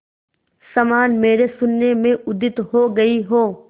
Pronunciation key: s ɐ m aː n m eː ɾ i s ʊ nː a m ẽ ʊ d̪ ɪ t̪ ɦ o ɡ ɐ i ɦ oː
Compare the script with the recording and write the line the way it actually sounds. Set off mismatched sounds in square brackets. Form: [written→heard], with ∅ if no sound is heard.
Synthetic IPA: s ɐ m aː n m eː ɾ [i→e] s ʊ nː [a→e] m ẽ ʊ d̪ ɪ t̪ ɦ o ɡ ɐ i ɦ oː